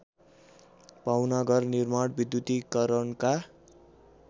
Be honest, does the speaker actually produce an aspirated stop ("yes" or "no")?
no